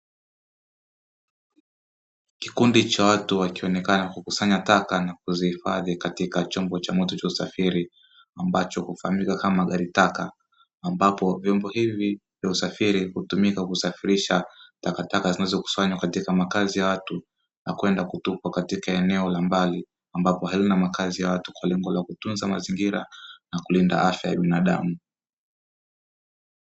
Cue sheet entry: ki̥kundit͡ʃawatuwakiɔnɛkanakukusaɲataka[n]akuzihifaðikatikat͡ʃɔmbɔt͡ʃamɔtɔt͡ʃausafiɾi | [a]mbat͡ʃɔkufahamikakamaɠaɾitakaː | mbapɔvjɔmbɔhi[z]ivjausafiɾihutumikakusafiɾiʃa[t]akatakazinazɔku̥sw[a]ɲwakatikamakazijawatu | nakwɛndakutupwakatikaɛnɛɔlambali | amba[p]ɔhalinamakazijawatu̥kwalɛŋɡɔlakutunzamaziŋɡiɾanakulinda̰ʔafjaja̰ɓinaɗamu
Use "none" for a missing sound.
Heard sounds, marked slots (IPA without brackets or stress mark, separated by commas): n, a, v, t, a, p